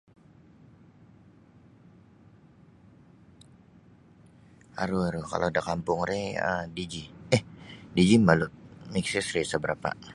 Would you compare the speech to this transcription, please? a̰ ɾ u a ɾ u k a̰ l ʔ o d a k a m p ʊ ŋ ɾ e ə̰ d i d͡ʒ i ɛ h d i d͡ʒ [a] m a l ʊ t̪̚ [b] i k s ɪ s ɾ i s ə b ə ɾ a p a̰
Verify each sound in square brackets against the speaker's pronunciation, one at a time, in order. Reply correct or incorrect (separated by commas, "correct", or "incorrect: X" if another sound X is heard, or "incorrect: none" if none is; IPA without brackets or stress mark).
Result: incorrect: i, incorrect: m